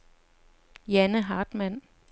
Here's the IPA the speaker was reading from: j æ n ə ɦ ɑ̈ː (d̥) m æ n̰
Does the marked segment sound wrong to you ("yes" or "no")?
no